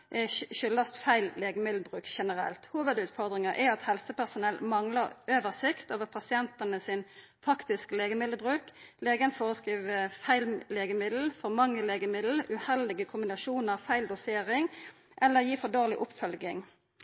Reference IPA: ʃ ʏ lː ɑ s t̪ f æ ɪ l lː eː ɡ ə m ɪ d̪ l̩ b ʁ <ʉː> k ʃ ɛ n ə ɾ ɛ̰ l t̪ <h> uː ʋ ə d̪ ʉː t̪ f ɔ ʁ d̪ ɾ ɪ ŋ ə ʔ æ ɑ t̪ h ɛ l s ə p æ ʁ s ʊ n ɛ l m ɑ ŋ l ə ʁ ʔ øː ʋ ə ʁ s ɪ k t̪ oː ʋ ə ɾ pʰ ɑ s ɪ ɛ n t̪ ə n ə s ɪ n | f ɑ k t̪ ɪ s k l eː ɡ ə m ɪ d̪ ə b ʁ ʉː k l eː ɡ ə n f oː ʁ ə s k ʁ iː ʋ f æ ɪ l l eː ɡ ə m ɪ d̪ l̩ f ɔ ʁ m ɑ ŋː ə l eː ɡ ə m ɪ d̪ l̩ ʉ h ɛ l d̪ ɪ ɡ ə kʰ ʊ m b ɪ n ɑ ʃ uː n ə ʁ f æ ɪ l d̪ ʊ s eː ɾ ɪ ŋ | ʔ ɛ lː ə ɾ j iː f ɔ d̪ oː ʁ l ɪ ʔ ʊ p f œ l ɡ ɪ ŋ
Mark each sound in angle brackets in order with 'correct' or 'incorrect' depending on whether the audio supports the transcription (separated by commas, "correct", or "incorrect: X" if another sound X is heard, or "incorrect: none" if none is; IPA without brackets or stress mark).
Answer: correct, correct